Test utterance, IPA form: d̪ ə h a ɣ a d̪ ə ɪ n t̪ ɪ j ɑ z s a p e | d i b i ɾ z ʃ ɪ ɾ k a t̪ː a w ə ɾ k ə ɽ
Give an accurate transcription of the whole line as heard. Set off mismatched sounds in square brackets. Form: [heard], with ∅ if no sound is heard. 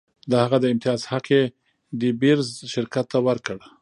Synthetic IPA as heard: d̪ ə h a ɣ a d̪ ə ɪ [m] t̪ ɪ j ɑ z [h] a [q] e | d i b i ɾ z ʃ ɪ ɾ k a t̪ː a w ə ɾ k ə ɽ

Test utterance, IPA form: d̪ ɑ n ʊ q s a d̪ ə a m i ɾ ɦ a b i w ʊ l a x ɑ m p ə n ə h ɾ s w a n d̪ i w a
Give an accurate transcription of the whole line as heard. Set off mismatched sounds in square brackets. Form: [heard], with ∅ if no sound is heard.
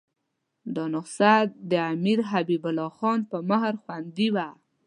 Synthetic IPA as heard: d̪ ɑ n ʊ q s a d̪ ə a m i ɾ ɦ a b i [b] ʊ l [ɑ] x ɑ [n] p ə [m] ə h ɾ [x] w a n d̪ i w a

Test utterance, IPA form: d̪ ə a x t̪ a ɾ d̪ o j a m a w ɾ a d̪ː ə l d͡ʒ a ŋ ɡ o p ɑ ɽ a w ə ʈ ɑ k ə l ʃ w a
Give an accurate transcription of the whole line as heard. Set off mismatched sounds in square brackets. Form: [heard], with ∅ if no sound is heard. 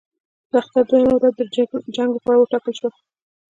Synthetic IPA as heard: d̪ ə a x t̪ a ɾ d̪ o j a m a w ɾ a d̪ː ə [∅] d͡ʒ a ŋ ɡ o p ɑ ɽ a w ə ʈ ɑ k ə l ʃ w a

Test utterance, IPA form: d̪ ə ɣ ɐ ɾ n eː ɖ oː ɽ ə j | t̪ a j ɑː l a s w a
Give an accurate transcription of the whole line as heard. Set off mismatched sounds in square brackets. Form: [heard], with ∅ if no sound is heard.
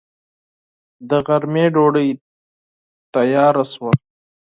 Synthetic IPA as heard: d̪ ə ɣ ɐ ɾ [m] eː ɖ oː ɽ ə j | t̪ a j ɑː [ɾ] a s w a

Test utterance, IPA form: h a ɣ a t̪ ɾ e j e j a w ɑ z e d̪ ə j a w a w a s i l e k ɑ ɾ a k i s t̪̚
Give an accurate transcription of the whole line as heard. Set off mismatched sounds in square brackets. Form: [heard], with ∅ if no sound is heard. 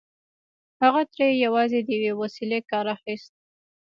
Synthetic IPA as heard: h a ɣ a t̪ ɾ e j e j a w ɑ z e d̪ ə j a w [e] w a s i l e k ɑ ɾ a [x] i s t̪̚

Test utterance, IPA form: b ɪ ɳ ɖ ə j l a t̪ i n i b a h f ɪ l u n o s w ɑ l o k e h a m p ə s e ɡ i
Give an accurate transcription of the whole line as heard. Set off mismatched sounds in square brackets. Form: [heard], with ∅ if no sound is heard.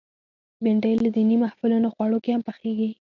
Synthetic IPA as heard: b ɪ ɳ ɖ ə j l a [d̪] i n i [m] a h f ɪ l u n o [x] w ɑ [ɽ] o k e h a m p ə [x] e ɡ i

